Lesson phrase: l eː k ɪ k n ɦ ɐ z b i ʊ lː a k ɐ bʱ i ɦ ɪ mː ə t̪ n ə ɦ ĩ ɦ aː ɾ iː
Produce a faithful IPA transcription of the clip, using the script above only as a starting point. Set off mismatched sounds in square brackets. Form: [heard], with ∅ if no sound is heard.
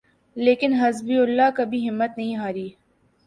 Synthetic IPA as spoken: l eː k ɪ [∅] n ɦ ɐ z b i ʊ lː a k ɐ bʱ i ɦ ɪ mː ə t̪ n [ɐ] ɦ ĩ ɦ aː ɾ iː